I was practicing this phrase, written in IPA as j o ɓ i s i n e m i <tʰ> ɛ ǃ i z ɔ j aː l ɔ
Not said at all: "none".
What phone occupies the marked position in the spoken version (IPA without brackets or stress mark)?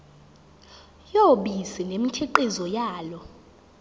tʰ